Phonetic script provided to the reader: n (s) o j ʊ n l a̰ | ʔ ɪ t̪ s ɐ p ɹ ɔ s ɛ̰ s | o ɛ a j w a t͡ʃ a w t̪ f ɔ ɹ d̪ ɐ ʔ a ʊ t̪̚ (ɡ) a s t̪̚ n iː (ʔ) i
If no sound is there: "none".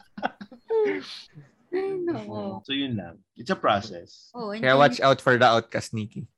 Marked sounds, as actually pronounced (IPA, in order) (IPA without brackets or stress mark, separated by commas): s, k, k